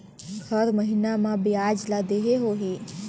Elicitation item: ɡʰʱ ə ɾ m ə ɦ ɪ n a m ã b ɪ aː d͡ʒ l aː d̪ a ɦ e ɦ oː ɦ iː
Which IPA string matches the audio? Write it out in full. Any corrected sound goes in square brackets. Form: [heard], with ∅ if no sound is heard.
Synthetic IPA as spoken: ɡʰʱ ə ɾ m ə ɦ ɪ n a m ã b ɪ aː d͡ʒ l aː d̪ [e] ɦ e ɦ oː ɦ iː

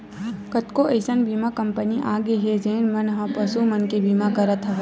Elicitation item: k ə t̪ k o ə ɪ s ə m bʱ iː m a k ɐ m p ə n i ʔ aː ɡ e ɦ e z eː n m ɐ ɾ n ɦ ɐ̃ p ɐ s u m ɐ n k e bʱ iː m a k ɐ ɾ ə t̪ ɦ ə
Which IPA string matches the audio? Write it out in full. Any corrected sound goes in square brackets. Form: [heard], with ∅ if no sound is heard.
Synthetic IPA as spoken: k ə t̪ k o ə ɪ s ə [n] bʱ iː m a k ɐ m p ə n i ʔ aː ɡ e ɦ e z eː n m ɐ [∅] n ɦ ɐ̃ p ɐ s u m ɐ n k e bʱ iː m a k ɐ ɾ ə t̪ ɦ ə

